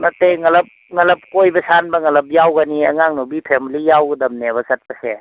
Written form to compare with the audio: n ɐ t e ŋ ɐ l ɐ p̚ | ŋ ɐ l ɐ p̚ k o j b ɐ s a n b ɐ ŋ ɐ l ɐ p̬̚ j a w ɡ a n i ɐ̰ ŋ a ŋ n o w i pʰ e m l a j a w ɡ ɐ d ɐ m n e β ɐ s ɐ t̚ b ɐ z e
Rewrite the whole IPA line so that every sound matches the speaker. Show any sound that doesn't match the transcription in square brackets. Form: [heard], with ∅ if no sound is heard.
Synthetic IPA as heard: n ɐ t e ŋ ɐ l ɐ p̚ | ŋ ɐ l ɐ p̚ k o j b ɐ s a n b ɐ ŋ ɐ l ɐ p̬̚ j a w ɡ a n i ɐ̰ ŋ a ŋ n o [b] i pʰ e m l [i] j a w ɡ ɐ d ɐ m n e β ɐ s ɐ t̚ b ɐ [s] e